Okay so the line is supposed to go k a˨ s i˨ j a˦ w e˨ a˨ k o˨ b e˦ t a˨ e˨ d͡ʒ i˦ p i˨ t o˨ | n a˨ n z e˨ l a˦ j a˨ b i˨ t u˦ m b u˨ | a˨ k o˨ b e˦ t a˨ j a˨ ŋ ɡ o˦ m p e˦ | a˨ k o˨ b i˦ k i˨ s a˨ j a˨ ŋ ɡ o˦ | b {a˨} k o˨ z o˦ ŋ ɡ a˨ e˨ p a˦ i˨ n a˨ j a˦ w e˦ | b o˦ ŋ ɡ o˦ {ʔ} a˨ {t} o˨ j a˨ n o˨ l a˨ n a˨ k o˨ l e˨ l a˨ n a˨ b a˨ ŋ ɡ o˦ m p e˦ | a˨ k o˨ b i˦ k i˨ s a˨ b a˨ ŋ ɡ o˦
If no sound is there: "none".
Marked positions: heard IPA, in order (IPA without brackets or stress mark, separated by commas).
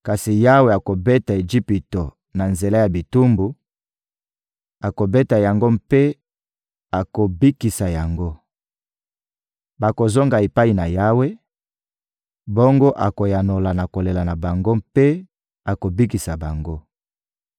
a˨, ʔ, k